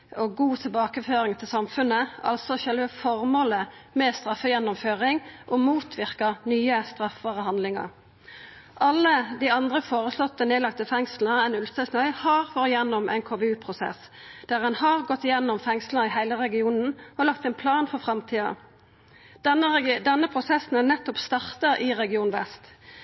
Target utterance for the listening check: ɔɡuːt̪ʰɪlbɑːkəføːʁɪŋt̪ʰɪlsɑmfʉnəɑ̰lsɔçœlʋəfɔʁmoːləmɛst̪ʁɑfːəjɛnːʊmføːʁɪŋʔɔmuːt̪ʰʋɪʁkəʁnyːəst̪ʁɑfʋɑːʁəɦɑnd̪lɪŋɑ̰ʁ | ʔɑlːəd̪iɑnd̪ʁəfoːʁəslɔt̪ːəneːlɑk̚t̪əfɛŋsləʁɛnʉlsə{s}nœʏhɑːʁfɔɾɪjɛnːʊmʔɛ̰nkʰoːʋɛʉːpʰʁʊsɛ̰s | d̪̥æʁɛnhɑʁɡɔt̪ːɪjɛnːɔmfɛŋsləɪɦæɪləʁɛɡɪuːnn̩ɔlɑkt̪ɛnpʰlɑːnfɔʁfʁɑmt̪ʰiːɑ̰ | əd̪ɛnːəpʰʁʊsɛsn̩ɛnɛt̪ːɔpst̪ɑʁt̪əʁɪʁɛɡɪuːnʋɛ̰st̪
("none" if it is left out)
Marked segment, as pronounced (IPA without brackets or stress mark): s